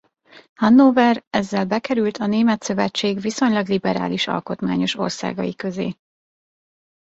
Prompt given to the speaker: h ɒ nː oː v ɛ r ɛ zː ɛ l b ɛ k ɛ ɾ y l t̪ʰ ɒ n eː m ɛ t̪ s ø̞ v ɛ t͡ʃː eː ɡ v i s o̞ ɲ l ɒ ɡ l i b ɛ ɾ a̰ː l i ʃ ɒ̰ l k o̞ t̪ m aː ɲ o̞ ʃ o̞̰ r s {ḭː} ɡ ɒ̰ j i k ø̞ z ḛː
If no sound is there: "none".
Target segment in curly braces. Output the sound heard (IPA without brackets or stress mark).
a̰ː